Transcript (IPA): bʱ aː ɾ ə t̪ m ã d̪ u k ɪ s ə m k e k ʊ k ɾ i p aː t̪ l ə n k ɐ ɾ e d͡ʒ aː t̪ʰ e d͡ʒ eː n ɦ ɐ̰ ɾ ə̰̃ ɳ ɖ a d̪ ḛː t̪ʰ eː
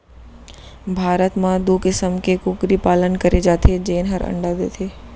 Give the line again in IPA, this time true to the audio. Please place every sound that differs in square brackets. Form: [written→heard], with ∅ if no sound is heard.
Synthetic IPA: bʱ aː ɾ ə t̪ m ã d̪ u k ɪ s ə m k e k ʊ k ɾ i p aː [t̪→∅] l ə n k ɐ ɾ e d͡ʒ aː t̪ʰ e d͡ʒ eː n ɦ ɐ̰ ɾ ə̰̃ ɳ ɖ a d̪ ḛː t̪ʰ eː